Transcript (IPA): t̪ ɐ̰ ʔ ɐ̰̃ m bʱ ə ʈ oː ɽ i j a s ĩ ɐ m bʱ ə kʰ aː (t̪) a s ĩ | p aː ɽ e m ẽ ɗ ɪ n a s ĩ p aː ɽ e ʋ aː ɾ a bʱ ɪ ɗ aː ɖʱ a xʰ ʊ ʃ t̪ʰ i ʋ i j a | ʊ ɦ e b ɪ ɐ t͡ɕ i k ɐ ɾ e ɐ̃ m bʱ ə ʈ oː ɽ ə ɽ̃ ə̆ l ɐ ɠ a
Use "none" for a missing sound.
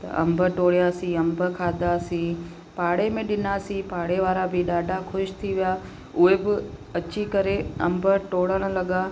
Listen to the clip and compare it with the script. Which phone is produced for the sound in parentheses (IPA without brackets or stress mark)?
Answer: d̪